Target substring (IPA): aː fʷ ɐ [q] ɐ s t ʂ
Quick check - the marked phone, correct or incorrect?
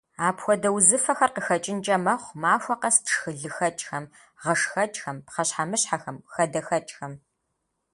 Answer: correct